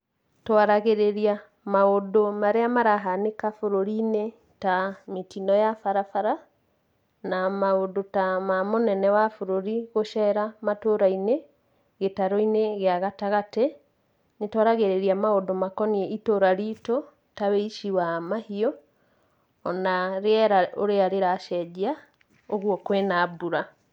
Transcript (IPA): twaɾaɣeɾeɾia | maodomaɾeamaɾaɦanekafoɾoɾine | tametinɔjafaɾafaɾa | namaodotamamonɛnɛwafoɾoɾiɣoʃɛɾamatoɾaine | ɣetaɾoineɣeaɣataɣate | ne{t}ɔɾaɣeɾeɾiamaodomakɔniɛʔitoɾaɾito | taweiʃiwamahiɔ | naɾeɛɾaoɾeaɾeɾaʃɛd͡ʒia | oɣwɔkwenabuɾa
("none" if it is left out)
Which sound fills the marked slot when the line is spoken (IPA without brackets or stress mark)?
t